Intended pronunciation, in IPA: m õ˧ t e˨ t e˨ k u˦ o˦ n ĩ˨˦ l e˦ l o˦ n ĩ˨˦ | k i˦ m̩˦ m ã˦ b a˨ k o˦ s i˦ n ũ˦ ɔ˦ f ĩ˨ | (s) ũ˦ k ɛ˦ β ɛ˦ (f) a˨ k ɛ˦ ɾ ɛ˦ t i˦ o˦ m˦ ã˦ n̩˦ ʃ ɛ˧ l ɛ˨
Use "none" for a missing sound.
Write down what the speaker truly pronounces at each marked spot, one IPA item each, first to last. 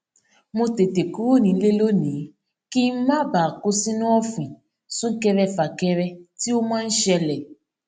s, f

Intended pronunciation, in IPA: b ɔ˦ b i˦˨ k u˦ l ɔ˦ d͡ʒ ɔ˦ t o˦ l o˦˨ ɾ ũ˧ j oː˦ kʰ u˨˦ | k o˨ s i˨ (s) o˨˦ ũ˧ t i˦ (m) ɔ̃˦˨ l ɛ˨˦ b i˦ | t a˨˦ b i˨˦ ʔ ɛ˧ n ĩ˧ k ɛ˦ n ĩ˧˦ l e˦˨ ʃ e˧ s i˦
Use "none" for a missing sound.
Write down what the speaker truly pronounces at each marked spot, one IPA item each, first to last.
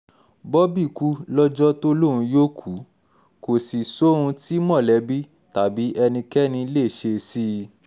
s, m

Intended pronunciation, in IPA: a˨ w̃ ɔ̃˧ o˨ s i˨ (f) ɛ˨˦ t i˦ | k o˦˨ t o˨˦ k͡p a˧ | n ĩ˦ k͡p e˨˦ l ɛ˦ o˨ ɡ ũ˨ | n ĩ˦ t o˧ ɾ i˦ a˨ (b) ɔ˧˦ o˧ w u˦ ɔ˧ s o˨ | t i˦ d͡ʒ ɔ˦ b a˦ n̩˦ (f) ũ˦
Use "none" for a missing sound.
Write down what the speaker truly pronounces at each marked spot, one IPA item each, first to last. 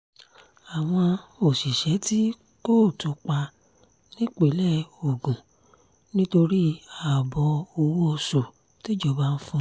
ʃ, b, f

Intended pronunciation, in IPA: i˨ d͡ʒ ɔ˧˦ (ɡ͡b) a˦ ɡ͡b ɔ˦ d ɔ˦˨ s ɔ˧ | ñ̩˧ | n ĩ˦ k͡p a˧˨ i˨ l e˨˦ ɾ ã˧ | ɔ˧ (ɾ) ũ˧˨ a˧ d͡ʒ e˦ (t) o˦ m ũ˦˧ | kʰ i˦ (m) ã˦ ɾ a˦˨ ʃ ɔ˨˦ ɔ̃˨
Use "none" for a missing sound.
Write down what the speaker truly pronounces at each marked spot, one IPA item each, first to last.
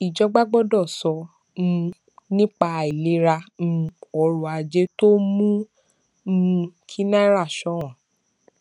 ɡ͡b, ɾ, t, n

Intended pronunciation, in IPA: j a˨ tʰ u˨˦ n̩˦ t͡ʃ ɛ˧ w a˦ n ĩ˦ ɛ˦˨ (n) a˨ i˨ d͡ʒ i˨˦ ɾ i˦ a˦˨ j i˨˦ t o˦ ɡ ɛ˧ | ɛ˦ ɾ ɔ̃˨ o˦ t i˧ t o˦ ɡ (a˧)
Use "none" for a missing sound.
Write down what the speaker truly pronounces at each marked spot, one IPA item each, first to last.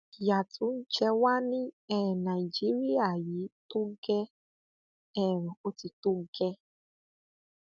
n, ɛ˧

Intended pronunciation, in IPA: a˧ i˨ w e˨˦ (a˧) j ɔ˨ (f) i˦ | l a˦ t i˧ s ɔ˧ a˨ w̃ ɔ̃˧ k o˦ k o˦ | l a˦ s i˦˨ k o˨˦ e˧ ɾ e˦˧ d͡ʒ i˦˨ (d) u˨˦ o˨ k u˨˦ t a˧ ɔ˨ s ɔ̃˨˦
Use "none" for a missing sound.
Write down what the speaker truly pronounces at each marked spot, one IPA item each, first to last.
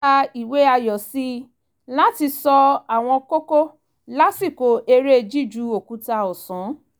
a˧, s, d͡ʒ

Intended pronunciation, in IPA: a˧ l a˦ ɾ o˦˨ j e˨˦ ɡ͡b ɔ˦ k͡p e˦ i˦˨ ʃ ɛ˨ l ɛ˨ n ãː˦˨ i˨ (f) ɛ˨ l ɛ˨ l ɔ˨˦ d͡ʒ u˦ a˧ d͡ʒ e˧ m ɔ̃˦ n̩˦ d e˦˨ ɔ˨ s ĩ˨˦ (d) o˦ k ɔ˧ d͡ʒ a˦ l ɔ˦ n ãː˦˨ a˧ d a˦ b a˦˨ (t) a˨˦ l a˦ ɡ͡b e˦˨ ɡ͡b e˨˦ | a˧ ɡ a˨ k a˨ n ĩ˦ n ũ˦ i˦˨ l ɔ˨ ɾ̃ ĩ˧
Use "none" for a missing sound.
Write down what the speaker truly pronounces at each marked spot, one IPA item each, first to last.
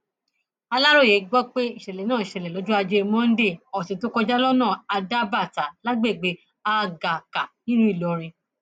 ʃ, t, t

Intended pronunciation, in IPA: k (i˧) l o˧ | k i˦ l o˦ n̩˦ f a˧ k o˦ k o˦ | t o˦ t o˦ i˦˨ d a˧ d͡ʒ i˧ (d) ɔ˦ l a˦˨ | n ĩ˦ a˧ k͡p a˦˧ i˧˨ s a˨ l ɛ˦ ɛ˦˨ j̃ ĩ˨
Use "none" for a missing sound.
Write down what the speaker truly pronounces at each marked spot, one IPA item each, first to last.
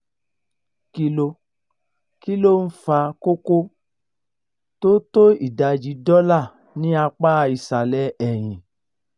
i˧, d

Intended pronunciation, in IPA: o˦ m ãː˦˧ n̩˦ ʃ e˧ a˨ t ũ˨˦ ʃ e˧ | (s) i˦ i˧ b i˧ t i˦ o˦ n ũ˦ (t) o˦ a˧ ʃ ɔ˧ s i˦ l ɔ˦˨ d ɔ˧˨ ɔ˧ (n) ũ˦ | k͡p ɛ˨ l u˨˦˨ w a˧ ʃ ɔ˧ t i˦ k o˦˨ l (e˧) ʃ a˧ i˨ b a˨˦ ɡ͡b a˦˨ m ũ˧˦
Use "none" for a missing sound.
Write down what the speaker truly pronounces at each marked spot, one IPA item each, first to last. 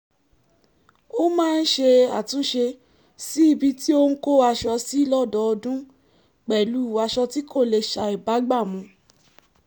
s, k, d, e˧

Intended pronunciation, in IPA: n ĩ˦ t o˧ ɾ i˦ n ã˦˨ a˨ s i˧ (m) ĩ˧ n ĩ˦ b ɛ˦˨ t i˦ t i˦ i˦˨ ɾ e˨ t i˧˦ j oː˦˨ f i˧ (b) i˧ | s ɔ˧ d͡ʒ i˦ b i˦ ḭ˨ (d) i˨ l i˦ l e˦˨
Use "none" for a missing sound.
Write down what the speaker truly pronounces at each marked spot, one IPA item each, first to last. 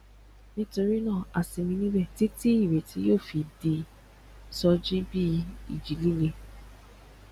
m, d, d͡ʒ

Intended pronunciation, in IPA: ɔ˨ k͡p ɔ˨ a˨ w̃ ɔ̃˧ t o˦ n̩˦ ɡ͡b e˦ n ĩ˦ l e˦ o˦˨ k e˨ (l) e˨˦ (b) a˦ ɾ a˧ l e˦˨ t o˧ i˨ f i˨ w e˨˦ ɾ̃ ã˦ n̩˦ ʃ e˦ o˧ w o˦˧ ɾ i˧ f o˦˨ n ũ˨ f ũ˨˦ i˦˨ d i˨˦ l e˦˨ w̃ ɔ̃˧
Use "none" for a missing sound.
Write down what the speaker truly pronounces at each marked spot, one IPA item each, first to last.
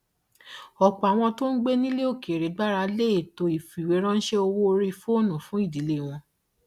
ɾ, ɡ͡b

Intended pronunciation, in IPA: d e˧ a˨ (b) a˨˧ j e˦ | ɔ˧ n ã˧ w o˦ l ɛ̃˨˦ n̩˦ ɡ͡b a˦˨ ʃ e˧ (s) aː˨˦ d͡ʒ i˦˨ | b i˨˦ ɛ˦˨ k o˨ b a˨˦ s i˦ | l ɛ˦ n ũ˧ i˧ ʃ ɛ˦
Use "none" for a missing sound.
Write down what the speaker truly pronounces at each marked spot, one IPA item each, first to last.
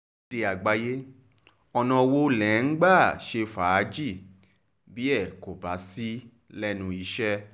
ɡ͡b, f

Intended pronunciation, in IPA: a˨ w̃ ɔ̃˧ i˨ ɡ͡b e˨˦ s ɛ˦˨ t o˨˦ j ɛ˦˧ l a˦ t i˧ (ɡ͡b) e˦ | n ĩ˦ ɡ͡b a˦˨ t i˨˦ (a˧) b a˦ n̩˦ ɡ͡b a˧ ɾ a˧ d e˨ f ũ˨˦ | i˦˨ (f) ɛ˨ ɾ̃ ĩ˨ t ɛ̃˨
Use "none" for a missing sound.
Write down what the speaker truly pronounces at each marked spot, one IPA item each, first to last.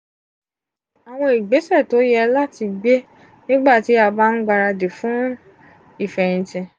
ɡ͡b, a˧, f

